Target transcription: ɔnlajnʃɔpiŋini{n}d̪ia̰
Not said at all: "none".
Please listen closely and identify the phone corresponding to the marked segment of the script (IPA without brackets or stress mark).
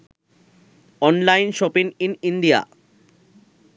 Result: n